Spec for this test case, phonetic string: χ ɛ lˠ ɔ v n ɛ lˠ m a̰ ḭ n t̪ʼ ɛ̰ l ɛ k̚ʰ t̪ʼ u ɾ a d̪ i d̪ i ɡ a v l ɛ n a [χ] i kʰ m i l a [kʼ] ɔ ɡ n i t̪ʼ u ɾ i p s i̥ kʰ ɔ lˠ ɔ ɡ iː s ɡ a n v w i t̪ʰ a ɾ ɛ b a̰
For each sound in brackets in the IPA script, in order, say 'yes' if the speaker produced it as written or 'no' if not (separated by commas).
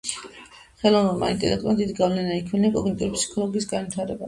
no, yes